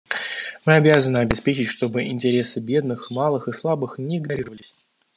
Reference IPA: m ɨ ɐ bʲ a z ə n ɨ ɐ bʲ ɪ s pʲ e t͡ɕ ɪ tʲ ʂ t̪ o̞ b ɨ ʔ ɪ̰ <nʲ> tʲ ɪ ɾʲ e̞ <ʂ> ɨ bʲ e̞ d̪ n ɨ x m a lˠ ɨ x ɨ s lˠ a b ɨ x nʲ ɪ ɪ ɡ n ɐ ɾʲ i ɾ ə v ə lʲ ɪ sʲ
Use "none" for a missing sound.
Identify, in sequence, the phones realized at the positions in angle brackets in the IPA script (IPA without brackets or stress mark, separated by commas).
nʲ, s